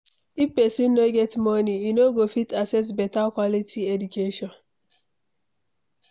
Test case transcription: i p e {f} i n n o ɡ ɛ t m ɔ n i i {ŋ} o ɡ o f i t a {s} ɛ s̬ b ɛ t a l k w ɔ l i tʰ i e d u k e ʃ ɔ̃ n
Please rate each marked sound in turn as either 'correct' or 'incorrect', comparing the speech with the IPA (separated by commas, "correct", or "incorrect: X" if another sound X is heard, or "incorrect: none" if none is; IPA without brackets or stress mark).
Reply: incorrect: s, incorrect: n, correct